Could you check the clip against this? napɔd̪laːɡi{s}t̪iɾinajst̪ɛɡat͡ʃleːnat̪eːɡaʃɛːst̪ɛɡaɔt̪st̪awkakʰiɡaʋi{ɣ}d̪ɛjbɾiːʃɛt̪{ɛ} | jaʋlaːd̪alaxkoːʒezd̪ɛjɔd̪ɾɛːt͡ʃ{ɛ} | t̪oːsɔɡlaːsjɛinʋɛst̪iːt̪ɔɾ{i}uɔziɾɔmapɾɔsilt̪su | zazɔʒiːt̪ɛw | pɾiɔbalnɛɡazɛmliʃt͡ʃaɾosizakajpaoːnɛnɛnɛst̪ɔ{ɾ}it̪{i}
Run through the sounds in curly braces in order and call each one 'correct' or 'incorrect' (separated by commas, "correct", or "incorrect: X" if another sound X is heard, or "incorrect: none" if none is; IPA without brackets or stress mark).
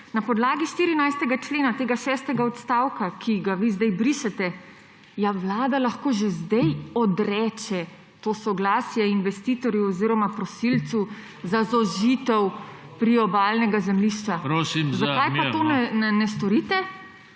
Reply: incorrect: ʃ, incorrect: z, correct, correct, incorrect: j, correct, incorrect: ɛ